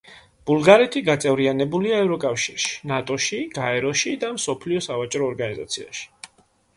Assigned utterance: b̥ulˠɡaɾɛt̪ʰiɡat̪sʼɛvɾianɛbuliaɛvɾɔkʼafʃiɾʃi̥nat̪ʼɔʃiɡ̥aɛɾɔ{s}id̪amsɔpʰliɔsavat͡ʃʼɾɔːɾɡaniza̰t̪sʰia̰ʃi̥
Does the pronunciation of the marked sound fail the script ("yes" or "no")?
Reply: yes